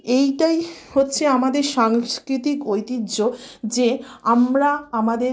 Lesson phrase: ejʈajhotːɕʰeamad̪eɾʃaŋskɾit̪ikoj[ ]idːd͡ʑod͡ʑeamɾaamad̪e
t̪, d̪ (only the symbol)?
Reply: t̪